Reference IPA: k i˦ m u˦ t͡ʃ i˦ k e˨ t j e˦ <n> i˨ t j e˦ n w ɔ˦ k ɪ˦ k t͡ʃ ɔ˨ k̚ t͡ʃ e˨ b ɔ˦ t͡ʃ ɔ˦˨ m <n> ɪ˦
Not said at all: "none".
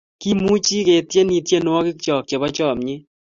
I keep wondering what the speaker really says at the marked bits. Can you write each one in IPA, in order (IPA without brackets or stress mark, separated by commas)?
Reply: n, ɲ